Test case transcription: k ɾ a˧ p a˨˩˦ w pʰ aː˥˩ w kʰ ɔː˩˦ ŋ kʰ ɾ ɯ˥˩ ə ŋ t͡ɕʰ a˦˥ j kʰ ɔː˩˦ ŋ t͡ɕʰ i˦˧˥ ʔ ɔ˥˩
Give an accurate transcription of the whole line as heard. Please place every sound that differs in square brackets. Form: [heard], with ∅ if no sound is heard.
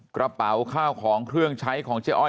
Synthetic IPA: k ɾ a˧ p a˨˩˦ w [kʰ] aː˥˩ w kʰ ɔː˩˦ ŋ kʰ ɾ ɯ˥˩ ə ŋ t͡ɕʰ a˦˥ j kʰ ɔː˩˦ ŋ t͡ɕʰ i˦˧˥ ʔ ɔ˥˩